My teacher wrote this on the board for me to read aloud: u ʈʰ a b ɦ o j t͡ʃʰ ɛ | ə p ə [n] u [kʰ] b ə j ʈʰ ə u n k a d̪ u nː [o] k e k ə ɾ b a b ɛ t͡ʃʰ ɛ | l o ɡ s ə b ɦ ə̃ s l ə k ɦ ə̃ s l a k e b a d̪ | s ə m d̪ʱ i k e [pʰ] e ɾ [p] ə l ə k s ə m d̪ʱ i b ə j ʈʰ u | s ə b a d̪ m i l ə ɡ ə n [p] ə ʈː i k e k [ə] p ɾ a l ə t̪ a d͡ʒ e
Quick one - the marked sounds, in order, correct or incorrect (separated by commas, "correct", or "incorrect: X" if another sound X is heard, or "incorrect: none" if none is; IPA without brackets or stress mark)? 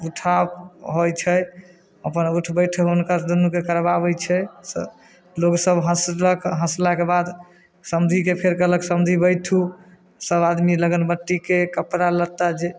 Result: correct, incorrect: ʈʰ, incorrect: u, correct, incorrect: k, incorrect: b, correct